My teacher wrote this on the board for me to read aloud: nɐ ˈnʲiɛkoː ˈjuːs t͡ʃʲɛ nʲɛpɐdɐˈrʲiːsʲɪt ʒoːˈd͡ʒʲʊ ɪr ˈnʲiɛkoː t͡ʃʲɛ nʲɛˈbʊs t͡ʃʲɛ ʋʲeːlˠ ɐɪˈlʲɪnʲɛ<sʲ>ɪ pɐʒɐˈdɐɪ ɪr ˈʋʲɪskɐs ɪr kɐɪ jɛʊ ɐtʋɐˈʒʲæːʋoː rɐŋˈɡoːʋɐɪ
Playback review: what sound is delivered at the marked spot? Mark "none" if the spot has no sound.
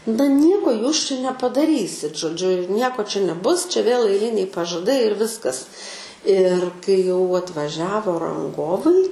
none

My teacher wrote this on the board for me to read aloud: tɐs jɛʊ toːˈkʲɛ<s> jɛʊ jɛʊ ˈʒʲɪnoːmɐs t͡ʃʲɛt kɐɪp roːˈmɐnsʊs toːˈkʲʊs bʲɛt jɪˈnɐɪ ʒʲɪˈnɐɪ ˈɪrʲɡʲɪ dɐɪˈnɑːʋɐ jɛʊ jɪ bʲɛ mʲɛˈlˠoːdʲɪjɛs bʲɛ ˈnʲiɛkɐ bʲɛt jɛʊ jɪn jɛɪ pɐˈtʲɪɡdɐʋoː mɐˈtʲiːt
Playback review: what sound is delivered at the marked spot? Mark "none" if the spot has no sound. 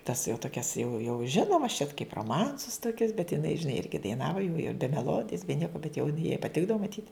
s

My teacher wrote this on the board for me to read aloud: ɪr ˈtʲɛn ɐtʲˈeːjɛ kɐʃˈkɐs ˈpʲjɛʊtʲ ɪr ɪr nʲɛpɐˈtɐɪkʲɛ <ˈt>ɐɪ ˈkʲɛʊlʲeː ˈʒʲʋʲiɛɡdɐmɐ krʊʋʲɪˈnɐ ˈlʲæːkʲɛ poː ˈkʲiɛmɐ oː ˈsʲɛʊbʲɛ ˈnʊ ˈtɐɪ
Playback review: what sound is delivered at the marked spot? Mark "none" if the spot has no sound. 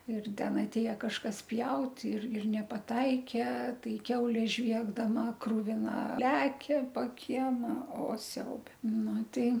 t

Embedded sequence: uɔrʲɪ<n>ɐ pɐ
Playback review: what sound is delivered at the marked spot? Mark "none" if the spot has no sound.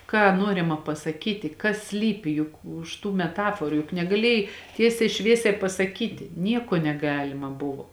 m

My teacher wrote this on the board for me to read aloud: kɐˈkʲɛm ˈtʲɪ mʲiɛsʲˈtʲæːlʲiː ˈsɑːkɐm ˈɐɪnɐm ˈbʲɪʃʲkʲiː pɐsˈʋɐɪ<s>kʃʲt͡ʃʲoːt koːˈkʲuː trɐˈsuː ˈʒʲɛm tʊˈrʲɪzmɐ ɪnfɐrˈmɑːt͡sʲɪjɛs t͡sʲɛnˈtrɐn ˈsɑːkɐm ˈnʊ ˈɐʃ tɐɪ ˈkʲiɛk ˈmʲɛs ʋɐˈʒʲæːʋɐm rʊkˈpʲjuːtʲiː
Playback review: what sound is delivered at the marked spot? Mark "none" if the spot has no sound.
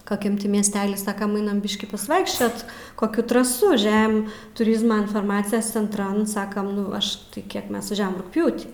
none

